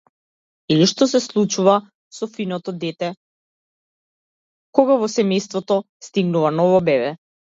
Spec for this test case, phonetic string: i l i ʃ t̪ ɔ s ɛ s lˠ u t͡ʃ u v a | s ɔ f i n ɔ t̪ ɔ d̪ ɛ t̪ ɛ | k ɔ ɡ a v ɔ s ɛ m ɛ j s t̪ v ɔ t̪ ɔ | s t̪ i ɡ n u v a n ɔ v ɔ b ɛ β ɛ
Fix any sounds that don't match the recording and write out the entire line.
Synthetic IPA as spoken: i l i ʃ t̪ ɔ s ɛ s lˠ u t͡ʃ u v a | s ɔ f i n ɔ t̪ ɔ d̪ ɛ t̪ ɛ | k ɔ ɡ a v ɔ s ɛ m ɛ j s t̪ v ɔ t̪ ɔ | s t̪ i ɡ n u v a n ɔ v ɔ b ɛ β ɛ

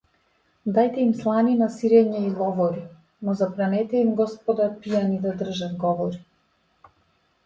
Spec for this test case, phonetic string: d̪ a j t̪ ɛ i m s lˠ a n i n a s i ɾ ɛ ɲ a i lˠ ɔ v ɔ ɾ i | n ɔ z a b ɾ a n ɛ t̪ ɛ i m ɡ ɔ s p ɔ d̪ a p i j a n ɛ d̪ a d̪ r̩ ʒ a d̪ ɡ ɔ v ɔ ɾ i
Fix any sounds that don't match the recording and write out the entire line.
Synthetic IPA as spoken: d̪ a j t̪ ɛ i m s lˠ a n i n a s i ɾ ɛ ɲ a i lˠ ɔ v ɔ ɾ i | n ɔ z a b ɾ a n ɛ t̪ ɛ i m ɡ ɔ s p ɔ d̪ a p i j a n i d̪ a d̪ r̩ ʒ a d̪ ɡ ɔ v ɔ ɾ i

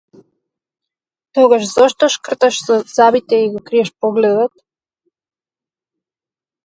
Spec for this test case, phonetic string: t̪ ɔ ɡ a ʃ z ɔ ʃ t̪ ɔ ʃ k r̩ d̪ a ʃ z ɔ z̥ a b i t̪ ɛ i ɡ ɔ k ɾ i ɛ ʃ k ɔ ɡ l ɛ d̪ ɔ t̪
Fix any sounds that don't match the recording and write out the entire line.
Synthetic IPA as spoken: t̪ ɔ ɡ a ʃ z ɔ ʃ t̪ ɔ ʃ k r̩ t̪ a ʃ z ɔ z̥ a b i t̪ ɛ i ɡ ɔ k ɾ i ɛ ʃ p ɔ ɡ l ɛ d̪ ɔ t̪

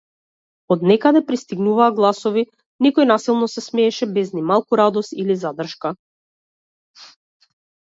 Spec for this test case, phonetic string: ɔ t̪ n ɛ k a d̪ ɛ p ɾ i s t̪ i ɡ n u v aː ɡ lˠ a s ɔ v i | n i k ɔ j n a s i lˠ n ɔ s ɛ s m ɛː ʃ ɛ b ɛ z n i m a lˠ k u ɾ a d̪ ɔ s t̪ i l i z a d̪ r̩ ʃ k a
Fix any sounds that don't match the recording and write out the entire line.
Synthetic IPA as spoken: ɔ d̪ n ɛ k a d̪ ɛ p ɾ i s t̪ i ɡ n u v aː ɡ lˠ a s ɔ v i | n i k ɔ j n a s i lˠ n ɔ s ɛ s m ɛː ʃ ɛ b ɛ z n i m a lˠ k u ɾ a d̪ ɔ s t̪ i l i z a d̪ r̩ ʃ k a

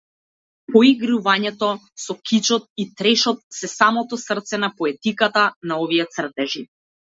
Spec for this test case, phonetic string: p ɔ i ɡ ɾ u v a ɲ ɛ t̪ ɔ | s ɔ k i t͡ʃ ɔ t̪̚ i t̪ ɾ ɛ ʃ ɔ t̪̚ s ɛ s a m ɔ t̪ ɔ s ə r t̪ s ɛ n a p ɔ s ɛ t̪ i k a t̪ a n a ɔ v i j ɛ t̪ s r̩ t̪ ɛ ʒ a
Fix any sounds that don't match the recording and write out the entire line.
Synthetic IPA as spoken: p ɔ i ɡ ɾ u v a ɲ ɛ t̪ ɔ | s ɔ k i t͡ʃ ɔ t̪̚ i t̪ ɾ ɛ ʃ ɔ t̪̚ s ɛ s a m ɔ t̪ ɔ s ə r t̪ s ɛ n a p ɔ ɛ t̪ i k a t̪ a n a ɔ v i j ɛ t̪ s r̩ t̪ ɛ ʒ i

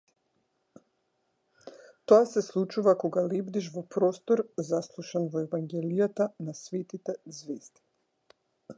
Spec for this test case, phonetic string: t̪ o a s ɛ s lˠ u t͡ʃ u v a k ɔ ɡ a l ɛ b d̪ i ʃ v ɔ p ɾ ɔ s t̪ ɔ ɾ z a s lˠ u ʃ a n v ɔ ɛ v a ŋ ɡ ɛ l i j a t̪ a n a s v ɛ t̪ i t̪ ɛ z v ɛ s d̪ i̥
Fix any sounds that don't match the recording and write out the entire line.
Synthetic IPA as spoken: t̪ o a s ɛ s lˠ u t͡ʃ u v a k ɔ ɡ a l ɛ b d̪ i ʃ v ɔ p ɾ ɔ s t̪ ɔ ɾ z a s lˠ u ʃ a n v ɔ ɛ v a ŋ ɡ ɛ l i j a t̪ a n a s v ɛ t̪ i t̪ ɛ z v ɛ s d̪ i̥

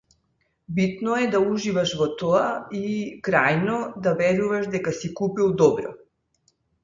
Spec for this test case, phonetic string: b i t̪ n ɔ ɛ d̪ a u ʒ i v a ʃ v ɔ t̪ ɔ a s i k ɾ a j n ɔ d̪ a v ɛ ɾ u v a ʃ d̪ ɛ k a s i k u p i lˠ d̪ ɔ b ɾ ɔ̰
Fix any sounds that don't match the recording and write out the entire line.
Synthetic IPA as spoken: b i t̪ n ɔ ɛ d̪ a u ʒ i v a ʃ v ɔ t̪ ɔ a i k ɾ a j n ɔ d̪ a v ɛ ɾ u v a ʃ d̪ ɛ k a s i k u p i lˠ d̪ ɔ b ɾ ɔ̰

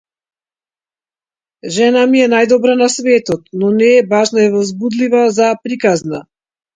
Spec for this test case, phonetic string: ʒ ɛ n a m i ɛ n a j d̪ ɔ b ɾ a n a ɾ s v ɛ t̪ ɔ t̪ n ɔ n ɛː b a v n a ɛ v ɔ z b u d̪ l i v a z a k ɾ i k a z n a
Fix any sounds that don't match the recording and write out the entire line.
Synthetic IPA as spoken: ʒ ɛ n a m i ɛ n a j d̪ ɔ b ɾ a n a s v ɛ t̪ ɔ t̪ n ɔ n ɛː b a ʒ n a ɛ v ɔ z b u d̪ l i v a z a p ɾ i k a z n a

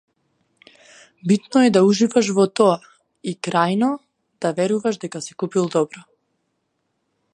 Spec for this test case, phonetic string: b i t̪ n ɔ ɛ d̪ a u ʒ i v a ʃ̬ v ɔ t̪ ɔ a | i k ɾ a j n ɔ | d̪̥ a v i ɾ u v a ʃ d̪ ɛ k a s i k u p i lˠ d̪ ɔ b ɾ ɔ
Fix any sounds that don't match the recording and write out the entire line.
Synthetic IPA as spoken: b i t̪ n ɔ ɛ d̪ a u ʒ i v a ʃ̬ v ɔ t̪ ɔ a | i k ɾ a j n ɔ | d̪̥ a v ɛ ɾ u v a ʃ d̪ ɛ k a s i k u p i lˠ d̪ ɔ b ɾ ɔ

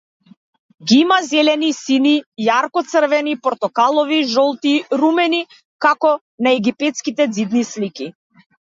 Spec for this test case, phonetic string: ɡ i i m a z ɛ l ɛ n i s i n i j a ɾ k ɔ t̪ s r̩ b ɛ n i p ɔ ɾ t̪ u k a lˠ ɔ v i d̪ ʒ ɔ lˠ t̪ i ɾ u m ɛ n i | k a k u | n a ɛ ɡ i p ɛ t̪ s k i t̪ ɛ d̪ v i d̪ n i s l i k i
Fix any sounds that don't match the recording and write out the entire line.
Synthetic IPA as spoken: ɡ i i m a z ɛ l ɛ n i s i n i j a ɾ k ɔ t̪ s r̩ v ɛ n i p ɔ ɾ t̪ ɔ k a lˠ ɔ v i ʒ ɔ lˠ t̪ i ɾ u m ɛ n i | k a k ɔ | n a ɛ ɡ i p ɛ t̪ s k i t̪ ɛ d̪ z i d̪ n i s l i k i

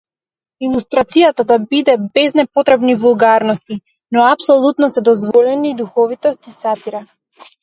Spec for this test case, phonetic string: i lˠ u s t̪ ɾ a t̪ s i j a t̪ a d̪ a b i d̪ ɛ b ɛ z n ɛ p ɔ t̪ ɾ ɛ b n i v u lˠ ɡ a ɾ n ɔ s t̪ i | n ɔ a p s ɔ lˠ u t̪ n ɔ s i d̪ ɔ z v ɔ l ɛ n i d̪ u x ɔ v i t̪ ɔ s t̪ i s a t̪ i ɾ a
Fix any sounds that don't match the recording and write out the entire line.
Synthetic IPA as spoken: i lˠ u s t̪ ɾ a t̪ s i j a t̪ a d̪ a b i d̪ ɛ b ɛ z n ɛ p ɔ t̪ ɾ ɛ b n i v u lˠ ɡ a ɾ n ɔ s t̪ i | n ɔ a p s ɔ lˠ u t̪ n ɔ s ɛ d̪ ɔ z v ɔ l ɛ n i d̪ u x ɔ v i t̪ ɔ s t̪ i s a t̪ i ɾ a

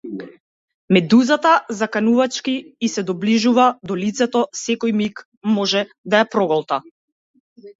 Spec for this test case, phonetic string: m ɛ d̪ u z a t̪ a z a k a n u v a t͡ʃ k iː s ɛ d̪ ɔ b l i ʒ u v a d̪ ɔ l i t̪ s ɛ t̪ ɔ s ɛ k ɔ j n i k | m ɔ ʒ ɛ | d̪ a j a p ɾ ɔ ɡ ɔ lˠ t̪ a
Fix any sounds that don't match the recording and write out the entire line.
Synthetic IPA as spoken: m ɛ d̪ u z a t̪ a z a k a n u v a t͡ʃ k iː s ɛ d̪ ɔ b l i ʒ u v a d̪ ɔ l i t̪ s ɛ t̪ ɔ s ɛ k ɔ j m i k | m ɔ ʒ ɛ | d̪ a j a p ɾ ɔ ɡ ɔ lˠ t̪ a

